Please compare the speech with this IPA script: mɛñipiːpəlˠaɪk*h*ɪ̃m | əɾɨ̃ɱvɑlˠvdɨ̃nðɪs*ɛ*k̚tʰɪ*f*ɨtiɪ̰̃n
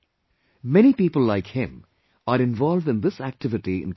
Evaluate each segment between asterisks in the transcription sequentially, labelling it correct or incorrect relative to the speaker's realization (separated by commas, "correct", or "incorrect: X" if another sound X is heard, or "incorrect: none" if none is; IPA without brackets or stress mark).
correct, incorrect: æ, incorrect: v